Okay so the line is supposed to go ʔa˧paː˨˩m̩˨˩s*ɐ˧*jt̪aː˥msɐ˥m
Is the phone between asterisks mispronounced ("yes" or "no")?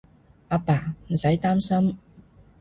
yes